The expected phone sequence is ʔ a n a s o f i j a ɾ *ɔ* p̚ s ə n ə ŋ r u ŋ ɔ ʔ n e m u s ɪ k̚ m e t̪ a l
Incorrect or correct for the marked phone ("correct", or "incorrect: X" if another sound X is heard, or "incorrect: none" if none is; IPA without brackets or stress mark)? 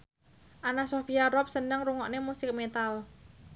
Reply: correct